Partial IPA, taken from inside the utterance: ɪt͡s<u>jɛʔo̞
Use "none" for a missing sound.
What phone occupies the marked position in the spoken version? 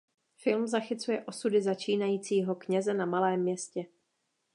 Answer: u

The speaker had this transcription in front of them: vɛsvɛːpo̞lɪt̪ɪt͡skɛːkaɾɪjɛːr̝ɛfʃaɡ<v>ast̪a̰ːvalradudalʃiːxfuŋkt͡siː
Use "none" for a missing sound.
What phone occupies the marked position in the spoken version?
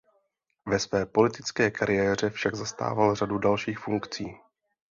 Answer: z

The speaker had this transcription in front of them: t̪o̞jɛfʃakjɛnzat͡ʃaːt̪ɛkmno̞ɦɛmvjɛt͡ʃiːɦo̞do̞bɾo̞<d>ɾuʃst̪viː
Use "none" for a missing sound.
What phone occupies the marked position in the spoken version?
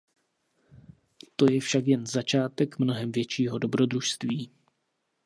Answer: d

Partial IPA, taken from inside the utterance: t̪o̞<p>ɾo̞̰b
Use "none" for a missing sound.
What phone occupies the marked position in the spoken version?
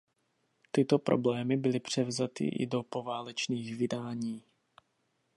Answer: p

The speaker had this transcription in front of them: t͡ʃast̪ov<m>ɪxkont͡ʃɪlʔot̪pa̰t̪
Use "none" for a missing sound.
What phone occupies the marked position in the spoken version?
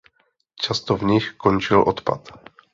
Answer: ɲ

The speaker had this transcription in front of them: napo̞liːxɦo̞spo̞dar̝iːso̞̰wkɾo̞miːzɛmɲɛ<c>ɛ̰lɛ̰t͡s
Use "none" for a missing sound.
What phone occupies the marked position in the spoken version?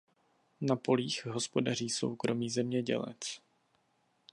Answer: ɟ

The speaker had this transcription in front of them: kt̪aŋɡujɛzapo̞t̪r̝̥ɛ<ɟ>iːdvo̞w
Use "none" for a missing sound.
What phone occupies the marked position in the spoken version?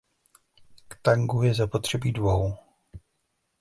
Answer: b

